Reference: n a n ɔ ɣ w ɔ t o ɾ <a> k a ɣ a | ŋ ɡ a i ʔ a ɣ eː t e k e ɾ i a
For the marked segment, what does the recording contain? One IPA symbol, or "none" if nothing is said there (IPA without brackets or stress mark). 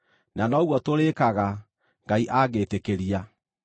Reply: e